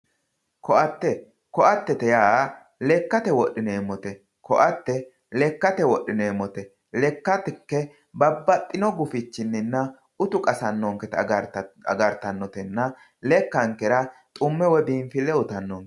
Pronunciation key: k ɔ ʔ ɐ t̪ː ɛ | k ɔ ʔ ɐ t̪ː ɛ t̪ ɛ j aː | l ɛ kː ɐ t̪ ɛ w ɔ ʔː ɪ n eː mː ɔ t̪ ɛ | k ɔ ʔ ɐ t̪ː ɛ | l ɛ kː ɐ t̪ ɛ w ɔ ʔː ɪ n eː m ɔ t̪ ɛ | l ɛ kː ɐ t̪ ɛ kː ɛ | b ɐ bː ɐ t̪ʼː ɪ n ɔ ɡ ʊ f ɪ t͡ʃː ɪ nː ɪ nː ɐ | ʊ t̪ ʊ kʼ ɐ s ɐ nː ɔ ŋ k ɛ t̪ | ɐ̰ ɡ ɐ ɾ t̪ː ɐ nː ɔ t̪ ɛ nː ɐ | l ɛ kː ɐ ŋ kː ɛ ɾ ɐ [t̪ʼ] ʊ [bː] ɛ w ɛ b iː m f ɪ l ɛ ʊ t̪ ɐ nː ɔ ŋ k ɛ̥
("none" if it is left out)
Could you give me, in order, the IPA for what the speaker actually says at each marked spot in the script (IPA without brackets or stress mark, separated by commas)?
t̪ʼ, mː